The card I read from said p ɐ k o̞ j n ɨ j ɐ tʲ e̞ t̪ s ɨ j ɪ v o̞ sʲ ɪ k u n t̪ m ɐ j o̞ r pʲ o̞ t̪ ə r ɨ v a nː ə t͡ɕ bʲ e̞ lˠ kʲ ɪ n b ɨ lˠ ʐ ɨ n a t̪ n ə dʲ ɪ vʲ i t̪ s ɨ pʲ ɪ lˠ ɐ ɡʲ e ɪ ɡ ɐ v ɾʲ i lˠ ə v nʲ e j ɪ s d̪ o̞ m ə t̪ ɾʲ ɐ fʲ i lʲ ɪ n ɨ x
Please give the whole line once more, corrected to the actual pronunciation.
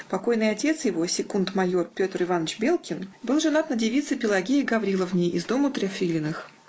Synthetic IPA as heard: p ɐ k o̞ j n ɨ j ɐ tʲ e̞ t̪ s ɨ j ɪ v o̞ sʲ ɪ k u n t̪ m ɐ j o̞ r pʲ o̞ t̪ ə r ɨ v a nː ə t͡ɕ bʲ e̞ lˠ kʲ ɪ n b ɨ lˠ ʐ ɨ n a t̪ n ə dʲ ɪ vʲ i t̪ s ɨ pʲ ɪ lˠ ɐ ɡʲ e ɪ ɡ ɐ v ɾʲ i lˠ ə v nʲ e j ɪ z d̪ o̞ m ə t̪ ɾʲ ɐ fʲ i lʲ ɪ n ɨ x